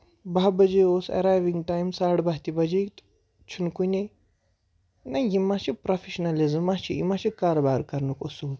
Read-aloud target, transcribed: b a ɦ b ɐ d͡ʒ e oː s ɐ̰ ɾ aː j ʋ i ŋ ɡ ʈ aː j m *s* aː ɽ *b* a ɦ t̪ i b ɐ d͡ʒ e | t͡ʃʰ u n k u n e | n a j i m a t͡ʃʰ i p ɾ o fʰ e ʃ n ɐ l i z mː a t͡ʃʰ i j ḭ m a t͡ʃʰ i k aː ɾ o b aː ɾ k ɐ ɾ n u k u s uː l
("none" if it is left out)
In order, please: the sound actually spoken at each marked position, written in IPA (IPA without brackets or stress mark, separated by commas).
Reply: s, b